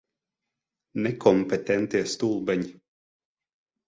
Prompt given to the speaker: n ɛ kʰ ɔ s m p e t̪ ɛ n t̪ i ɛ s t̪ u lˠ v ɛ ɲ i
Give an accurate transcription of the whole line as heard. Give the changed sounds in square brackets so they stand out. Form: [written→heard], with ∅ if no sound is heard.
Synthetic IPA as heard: n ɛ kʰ ɔ [s→∅] m p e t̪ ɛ n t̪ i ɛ s t̪ u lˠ [v→b] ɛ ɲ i